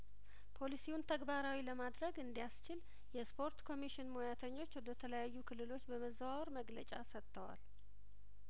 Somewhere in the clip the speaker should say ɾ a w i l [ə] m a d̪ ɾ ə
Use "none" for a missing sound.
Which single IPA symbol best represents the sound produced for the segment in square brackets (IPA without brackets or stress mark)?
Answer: ə